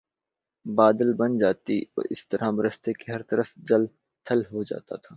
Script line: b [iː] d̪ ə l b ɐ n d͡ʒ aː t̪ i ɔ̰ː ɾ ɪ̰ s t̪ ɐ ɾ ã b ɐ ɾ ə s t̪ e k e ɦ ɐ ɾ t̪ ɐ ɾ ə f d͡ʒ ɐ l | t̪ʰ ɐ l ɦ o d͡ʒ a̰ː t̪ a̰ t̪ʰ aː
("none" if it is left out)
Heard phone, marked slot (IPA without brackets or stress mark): aː